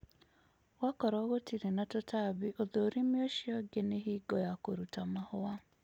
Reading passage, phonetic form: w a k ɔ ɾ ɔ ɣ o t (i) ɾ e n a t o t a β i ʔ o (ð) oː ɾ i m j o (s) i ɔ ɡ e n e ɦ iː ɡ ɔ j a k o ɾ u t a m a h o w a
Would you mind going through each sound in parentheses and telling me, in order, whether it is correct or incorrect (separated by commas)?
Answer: correct, correct, incorrect